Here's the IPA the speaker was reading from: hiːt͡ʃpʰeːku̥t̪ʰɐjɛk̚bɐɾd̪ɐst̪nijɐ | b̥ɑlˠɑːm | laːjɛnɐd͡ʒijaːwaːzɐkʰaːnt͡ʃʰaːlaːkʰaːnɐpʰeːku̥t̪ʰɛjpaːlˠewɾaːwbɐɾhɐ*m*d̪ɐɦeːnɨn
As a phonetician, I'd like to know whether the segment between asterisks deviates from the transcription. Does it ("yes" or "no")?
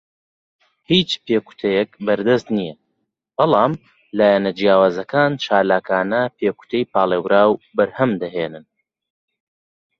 no